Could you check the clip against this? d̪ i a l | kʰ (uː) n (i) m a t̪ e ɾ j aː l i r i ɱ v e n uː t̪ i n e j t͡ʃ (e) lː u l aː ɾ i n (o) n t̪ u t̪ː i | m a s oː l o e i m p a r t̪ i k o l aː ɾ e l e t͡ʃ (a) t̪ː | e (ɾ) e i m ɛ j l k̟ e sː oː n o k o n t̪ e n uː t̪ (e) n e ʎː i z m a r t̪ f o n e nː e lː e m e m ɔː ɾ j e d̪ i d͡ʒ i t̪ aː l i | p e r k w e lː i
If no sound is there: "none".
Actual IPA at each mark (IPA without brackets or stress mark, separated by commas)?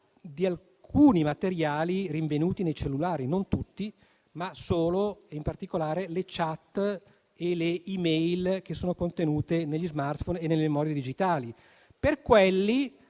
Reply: uː, i, e, o, a, l, e